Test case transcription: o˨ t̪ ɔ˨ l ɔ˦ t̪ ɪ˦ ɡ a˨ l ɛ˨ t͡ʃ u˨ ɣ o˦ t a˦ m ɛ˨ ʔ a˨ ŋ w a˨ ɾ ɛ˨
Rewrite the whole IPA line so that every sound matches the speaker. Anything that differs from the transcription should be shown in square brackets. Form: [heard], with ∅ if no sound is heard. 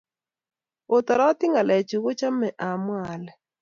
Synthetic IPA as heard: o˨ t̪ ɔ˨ [ɾ] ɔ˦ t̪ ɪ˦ [ŋ] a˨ l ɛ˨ t͡ʃ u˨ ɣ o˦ [t͡ʃ] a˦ m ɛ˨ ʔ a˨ [m] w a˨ [l] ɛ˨